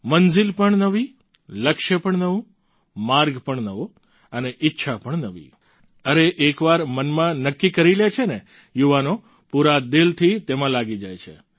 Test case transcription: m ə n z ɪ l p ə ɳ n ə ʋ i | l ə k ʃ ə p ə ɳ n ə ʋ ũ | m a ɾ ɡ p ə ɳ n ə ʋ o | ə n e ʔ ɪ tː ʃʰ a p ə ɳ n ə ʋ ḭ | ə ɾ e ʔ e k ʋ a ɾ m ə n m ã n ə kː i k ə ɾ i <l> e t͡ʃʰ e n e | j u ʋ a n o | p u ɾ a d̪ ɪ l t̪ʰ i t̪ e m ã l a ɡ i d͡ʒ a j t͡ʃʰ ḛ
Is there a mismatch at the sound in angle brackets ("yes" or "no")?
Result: no